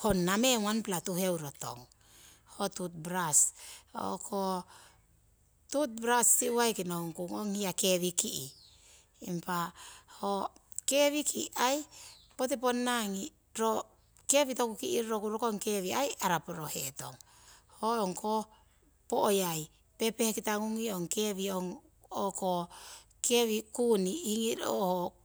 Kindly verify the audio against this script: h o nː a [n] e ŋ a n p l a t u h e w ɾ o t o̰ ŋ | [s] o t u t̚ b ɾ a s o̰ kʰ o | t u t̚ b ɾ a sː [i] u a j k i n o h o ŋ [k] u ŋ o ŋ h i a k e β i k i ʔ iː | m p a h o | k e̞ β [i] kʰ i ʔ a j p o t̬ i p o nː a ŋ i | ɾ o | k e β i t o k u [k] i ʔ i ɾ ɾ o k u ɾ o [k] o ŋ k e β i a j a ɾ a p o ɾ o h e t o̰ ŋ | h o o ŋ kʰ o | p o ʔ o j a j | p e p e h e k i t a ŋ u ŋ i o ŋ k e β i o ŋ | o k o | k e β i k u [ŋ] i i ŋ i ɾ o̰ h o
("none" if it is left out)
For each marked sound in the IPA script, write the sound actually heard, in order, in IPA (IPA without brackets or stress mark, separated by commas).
m, h, i, k, i, k, k, n